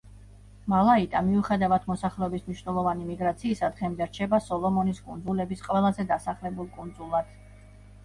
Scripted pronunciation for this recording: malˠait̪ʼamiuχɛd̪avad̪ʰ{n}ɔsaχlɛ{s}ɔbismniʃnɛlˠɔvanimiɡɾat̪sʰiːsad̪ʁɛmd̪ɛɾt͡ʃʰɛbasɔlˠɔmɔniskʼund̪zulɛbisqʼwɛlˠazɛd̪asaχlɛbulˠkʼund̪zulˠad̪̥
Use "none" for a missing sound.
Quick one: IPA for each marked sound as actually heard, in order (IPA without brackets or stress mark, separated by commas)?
m, none